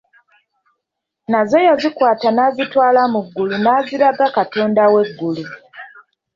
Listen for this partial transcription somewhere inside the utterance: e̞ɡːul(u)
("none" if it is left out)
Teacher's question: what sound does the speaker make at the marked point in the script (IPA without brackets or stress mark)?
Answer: u